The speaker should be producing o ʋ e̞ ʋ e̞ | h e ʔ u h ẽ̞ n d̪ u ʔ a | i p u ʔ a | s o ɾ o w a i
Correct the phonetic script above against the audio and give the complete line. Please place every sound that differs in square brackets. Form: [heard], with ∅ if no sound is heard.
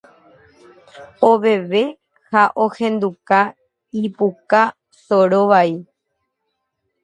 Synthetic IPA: o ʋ e̞ ʋ e̞ | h [a] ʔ [o] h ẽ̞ n d̪ u [k] a | i p u [k] a | s o ɾ o [ʋ] a i